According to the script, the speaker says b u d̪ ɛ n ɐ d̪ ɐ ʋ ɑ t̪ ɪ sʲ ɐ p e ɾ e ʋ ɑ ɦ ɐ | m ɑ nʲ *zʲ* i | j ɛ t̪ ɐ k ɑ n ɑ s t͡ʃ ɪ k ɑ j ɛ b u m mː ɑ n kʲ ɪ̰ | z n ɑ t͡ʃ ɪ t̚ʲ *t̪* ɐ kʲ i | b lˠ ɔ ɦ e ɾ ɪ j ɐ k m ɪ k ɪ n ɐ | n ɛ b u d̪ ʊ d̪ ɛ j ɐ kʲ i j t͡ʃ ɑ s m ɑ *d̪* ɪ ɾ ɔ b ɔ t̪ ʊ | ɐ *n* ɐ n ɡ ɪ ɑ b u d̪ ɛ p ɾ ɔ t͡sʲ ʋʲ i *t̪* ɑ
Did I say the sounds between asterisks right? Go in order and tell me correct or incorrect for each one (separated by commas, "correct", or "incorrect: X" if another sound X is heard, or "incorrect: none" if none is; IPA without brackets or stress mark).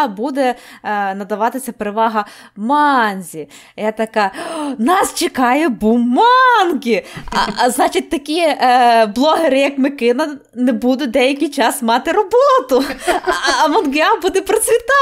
correct, correct, incorrect: t̪, incorrect: m, correct